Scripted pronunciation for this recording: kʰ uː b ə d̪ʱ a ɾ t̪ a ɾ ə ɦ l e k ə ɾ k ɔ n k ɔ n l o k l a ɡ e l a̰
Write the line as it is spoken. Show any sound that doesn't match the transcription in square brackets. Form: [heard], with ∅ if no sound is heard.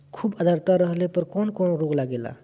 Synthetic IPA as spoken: kʰ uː b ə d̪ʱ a ɾ t̪ a ɾ ə ɦ l e [p] ə ɾ k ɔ n k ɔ n [ɾ] o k l a ɡ e l a̰